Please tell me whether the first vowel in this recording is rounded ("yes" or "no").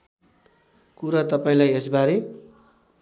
yes